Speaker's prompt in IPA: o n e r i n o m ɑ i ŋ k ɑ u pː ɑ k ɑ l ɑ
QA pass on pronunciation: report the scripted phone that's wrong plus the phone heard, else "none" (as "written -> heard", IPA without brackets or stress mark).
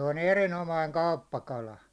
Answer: none